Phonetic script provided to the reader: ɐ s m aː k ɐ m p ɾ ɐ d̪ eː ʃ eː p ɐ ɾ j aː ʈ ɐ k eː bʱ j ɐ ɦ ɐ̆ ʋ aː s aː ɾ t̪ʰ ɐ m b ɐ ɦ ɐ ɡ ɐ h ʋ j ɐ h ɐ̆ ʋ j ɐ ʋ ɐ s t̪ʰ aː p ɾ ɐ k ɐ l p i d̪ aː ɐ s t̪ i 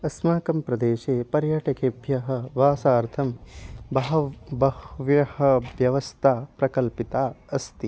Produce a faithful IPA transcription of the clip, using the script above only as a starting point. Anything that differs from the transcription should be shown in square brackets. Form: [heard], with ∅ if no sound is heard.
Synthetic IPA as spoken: ɐ s m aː k ɐ m p ɾ ɐ d̪ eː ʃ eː p ɐ ɾ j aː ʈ ɐ k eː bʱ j ɐ ɦ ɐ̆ ʋ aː s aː ɾ t̪ʰ ɐ m b ɐ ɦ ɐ [b] ɐ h ʋ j ɐ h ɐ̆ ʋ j ɐ ʋ ɐ s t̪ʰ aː p ɾ ɐ k ɐ l p i [t̪] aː ɐ s t̪ i